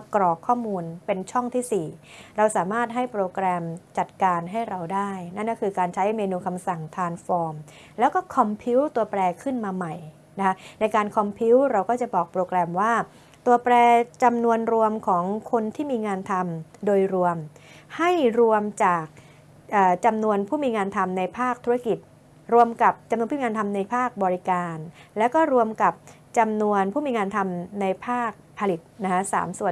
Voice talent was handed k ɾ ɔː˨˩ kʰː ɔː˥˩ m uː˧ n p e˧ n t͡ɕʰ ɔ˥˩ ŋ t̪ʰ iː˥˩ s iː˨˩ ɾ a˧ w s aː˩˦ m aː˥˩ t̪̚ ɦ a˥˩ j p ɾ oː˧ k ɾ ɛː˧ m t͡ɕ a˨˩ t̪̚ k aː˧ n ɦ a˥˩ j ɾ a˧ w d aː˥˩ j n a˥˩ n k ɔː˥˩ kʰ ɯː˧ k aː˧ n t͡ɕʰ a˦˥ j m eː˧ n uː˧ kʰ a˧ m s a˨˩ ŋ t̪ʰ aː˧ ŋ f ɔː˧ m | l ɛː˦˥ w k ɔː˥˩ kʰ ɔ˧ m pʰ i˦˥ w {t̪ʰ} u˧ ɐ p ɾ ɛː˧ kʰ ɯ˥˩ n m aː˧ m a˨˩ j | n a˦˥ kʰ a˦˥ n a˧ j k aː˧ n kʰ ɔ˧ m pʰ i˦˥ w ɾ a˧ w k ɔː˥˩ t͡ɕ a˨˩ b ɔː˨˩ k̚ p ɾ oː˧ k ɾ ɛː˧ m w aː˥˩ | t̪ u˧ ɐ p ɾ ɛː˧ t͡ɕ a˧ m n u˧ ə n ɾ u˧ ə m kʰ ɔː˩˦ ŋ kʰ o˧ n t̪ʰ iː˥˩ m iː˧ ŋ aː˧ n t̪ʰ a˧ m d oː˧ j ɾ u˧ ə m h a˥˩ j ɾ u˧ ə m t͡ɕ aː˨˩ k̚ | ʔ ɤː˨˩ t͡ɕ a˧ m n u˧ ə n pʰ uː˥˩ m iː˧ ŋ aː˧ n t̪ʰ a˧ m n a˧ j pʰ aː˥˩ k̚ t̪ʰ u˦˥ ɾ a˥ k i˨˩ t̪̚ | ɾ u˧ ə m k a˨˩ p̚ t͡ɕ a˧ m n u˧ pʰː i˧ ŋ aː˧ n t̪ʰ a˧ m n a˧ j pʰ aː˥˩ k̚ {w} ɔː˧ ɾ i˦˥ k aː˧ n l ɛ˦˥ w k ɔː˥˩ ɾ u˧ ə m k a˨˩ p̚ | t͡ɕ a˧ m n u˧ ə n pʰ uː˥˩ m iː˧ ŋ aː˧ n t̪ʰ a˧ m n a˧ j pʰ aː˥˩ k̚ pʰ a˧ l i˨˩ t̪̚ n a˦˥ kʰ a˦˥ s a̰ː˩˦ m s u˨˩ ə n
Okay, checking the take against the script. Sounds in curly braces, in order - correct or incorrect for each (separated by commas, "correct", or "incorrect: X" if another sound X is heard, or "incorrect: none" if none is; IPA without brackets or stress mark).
incorrect: t̪, incorrect: b